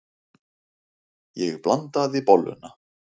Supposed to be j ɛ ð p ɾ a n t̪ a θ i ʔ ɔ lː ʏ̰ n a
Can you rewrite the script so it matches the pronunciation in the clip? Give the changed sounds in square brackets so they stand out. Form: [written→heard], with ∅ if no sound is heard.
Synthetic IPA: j ɛ [ð→ɣ] p [ɾ→l] a n t̪ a [θ→ð] i [ʔ→p] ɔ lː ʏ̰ n a